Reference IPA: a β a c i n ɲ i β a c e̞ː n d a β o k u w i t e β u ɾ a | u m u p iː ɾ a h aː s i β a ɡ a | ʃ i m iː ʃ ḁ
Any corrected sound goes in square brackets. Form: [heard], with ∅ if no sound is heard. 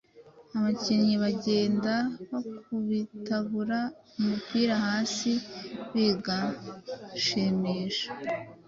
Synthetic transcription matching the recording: a β a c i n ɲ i β a [ɟ] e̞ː n d a β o k u [β] i t [a] β u ɾ a | u m u p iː ɾ a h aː s i β [i] ɡ a | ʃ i m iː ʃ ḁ